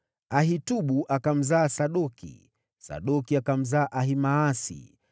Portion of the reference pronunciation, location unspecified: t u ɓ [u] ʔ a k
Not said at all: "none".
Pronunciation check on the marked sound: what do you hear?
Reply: u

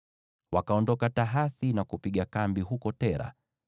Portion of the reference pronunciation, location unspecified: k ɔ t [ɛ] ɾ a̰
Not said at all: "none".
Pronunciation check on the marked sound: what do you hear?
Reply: ɛ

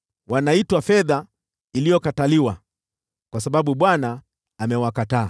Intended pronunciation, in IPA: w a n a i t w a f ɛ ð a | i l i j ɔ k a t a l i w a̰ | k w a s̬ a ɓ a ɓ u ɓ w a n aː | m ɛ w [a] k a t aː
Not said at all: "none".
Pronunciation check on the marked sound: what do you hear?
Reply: a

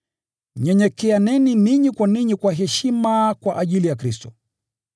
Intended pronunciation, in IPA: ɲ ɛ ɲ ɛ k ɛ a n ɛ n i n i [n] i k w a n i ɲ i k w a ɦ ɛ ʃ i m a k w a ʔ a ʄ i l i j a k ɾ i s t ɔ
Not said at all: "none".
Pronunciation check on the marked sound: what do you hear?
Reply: ɲ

